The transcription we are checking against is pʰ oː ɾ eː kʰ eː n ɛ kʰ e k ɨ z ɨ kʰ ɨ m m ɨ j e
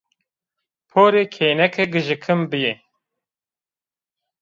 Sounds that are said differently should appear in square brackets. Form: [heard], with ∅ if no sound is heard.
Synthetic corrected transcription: pʰ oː ɾ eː kʰ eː n ɛ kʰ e [ɡ] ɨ [ʒ] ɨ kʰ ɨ m [b] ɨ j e